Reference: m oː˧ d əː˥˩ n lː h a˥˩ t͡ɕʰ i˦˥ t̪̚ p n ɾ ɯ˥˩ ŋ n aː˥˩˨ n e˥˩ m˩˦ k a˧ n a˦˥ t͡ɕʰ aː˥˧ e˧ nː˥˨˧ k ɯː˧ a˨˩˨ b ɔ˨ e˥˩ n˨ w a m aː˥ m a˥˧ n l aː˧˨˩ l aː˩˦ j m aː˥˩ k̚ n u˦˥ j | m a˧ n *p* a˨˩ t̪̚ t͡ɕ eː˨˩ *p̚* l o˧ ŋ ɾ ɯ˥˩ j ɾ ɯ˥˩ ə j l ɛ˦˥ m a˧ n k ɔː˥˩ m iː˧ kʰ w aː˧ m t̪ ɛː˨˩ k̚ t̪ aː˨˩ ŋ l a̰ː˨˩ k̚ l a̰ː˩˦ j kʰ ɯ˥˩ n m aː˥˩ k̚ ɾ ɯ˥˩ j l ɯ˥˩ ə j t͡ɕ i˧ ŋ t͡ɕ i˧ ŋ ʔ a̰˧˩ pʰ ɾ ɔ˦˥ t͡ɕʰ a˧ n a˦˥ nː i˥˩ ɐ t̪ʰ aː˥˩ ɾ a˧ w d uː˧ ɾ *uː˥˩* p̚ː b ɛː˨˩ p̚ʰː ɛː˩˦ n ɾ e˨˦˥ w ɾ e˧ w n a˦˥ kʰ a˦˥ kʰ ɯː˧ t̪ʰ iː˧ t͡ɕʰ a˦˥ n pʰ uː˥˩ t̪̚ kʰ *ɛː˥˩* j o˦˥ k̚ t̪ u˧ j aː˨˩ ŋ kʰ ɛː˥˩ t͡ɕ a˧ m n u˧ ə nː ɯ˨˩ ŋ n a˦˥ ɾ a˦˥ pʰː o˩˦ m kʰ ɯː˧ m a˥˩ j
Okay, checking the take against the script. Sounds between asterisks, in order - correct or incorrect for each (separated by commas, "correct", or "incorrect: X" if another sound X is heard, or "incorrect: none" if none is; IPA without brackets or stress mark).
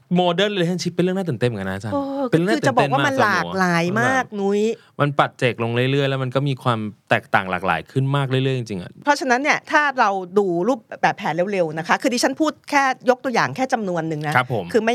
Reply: correct, incorrect: k̚, correct, correct